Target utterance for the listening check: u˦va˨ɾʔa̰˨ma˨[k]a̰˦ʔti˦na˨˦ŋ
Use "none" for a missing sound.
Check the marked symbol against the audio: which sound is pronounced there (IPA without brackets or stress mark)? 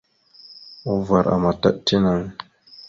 t